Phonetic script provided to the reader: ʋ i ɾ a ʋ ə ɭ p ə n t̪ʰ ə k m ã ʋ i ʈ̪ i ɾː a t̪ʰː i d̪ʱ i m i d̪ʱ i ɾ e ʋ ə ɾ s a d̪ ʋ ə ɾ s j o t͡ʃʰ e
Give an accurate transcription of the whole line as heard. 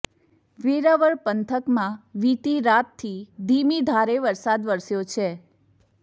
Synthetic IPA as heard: ʋ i ɾ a ʋ ə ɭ p ə n t̪ʰ ə k m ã ʋ i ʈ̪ i ɾ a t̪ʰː i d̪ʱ i m i d̪ʱ a ɾ e ʋ ə ɾ s a d̪ ʋ ə ɾ s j o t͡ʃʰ e